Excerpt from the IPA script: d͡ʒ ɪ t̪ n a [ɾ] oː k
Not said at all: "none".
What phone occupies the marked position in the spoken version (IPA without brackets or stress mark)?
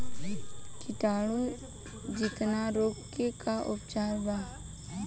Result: ɾ